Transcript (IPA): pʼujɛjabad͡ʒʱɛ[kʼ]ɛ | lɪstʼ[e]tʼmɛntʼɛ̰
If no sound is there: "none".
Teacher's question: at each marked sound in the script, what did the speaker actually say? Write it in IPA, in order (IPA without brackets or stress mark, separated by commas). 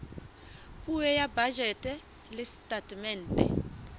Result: tʼ, a